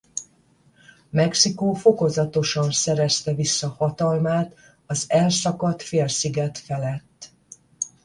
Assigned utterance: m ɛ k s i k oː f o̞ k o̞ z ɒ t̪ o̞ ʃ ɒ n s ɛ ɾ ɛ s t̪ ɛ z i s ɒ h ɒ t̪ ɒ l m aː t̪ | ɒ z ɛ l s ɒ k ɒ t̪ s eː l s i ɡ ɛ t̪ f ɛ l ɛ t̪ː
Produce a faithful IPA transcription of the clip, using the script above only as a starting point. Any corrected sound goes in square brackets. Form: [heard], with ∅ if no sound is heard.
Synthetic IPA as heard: m ɛ k s i k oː f o̞ k o̞ z ɒ t̪ o̞ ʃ ɒ n s ɛ ɾ ɛ s t̪ ɛ [v] i [sː] ɒ h ɒ t̪ ɒ l m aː t̪ | ɒ z ɛ l s ɒ k ɒ t̪ [f] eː l s i ɡ ɛ t̪ f ɛ l ɛ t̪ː